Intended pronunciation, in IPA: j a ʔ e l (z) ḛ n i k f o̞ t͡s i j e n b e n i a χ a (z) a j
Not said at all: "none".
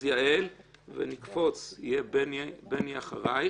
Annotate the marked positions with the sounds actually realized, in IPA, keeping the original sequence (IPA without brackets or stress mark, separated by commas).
v, ʁ